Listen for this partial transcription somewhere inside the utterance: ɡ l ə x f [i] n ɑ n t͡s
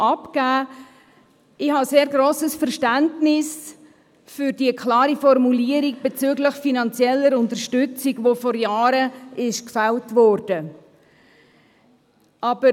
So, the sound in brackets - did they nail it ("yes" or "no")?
yes